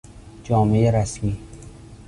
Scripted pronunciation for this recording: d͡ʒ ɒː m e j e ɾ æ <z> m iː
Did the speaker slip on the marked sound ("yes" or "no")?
yes